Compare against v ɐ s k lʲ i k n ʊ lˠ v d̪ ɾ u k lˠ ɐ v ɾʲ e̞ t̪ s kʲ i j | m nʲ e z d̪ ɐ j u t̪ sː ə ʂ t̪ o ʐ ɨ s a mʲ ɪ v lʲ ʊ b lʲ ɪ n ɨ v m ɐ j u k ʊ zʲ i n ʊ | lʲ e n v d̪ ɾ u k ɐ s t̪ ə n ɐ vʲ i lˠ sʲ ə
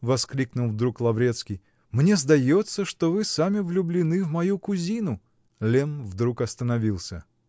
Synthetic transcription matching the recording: v ɐ s k lʲ i k n ʊ lˠ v d̪ ɾ u k lˠ ɐ v ɾʲ e̞ t̪ s kʲ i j | m nʲ e z d̪ ɐ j o t̪ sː ə ʂ t̪ o v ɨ s a mʲ ɪ v lʲ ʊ b lʲ ɪ n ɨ v m ɐ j u k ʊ zʲ i n ʊ | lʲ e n v d̪ ɾ u k ɐ s t̪ ə n ɐ vʲ i lˠ sʲ ə